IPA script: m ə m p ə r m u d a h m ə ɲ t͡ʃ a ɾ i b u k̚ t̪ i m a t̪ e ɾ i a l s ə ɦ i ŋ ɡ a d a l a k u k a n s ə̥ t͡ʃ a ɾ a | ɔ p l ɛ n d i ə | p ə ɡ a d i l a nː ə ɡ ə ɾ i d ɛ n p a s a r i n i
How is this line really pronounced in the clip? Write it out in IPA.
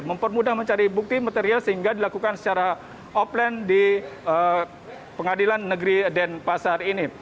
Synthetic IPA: m ə m p ə r m u d a h m ə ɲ t͡ʃ a ɾ i b u k̚ t̪ i m a t̪ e ɾ i a l s ə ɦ i ŋ ɡ a d i l a k u k a n s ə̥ t͡ʃ a ɾ a | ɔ p l ɛ n d i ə | p ə ŋ a d i l a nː ə ɡ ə ɾ i d ɛ n p a s a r i n i